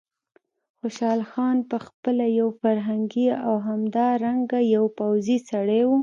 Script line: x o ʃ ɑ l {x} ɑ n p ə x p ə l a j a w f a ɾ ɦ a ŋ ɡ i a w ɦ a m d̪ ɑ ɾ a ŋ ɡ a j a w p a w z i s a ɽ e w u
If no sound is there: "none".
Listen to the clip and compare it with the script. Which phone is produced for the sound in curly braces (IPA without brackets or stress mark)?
x